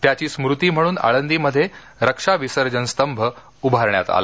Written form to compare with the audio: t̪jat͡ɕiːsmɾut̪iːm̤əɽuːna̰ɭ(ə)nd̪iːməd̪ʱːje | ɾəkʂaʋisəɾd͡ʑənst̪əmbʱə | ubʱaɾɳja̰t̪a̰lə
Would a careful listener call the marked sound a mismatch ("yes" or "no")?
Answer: no